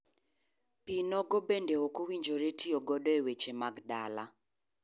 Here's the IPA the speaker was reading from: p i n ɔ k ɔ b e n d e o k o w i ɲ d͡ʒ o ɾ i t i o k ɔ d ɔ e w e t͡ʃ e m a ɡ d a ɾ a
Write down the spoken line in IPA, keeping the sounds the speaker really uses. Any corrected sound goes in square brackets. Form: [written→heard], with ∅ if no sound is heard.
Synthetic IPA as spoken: p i n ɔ [k→ɡ] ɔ b e n d e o k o w i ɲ d͡ʒ o ɾ [i→e] t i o [k→ɡ] ɔ d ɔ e w e t͡ʃ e m a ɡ d a [ɾ→l] a